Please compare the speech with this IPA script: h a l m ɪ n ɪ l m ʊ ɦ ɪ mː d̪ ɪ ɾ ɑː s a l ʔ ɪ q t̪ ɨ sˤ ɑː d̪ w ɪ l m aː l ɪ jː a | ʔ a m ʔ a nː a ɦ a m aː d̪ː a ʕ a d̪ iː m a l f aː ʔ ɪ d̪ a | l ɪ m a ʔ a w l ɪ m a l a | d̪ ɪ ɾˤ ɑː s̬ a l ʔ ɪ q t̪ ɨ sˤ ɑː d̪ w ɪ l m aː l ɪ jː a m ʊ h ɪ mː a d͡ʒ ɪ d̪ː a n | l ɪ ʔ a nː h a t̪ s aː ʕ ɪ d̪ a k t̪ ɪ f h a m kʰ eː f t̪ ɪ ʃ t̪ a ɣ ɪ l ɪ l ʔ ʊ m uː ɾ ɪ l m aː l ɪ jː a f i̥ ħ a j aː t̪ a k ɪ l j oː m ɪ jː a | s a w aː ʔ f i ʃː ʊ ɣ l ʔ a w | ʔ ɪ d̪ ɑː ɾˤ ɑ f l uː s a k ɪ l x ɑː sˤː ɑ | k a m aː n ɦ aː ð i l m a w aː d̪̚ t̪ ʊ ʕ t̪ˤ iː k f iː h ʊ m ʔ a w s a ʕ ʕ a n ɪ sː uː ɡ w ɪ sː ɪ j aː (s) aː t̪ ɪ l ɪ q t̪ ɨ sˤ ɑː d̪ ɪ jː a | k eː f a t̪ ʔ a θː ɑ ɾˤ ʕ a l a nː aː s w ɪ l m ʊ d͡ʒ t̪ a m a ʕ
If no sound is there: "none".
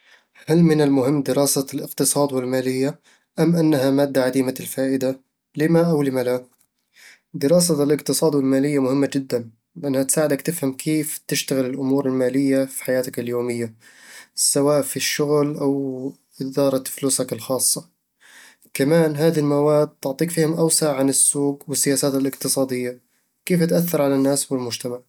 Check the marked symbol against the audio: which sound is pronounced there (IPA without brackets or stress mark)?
s